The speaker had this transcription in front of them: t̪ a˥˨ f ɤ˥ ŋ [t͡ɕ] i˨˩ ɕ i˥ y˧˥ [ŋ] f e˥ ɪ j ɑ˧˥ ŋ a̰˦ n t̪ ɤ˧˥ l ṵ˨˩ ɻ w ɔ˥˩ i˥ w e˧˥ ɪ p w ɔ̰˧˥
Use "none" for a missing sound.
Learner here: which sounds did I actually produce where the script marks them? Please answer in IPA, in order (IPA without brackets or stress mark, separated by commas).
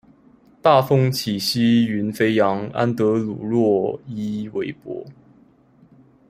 t͡ɕʰ, n